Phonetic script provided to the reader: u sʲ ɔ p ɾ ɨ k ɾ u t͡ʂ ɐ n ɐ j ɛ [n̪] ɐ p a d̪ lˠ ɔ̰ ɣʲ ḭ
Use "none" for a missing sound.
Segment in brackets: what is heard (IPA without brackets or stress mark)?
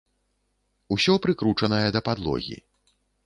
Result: d̪